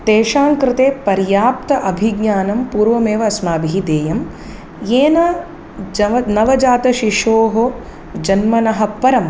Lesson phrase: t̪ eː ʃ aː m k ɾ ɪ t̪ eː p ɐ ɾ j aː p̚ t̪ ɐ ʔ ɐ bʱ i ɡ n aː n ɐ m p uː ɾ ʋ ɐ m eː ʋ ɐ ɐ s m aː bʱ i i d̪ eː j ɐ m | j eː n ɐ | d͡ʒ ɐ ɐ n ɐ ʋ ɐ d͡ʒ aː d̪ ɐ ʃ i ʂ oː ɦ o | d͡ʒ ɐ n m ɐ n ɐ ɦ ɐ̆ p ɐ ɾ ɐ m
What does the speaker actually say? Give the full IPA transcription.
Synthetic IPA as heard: t̪ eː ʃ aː ŋ k ɾ ɪ t̪ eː p ɐ ɾ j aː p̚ t̪ ɐ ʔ ɐ bʱ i ɡ ɲ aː n ɐ m p uː ɾ ʋ ɐ m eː ʋ ɐ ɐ s m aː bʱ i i d̪ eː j ɐ m | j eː n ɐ | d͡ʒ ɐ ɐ n ɐ ʋ ɐ d͡ʒ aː t̪ ɐ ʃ i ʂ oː ɦ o | d͡ʒ ɐ n m ɐ n ɐ ɦ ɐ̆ p ɐ ɾ ɐ m